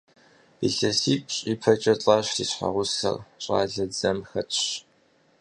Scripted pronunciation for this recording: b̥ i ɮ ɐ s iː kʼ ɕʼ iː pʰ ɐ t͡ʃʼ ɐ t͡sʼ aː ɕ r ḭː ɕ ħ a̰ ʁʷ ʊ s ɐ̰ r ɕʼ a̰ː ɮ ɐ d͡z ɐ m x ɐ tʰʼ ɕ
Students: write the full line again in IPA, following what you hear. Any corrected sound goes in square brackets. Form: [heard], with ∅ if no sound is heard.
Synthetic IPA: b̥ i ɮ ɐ s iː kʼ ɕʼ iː pʰ ɐ t͡ʃʼ ɐ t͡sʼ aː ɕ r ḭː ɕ ħ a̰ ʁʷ ʊ s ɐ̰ r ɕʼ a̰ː ɮ ɐ d͡z ɐ m x ɐ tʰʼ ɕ